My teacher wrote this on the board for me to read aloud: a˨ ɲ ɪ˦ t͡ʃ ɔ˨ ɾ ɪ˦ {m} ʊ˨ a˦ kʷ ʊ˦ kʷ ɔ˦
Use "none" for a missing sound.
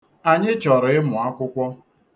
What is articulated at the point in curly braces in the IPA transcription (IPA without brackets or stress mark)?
m